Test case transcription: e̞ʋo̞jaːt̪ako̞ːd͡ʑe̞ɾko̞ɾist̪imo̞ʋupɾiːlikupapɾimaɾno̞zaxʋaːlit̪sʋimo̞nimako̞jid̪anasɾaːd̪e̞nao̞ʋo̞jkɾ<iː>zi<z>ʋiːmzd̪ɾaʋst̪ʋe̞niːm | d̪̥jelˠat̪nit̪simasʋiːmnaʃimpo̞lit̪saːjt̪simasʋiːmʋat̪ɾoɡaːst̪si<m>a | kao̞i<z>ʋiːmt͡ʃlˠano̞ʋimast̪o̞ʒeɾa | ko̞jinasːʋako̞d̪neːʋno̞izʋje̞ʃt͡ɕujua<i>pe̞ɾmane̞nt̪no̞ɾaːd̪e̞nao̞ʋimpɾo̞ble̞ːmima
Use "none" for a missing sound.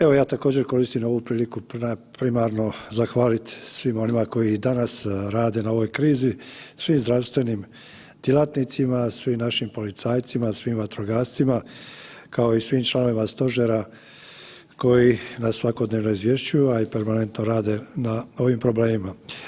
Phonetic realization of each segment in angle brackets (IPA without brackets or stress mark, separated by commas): iː, s, m, s, i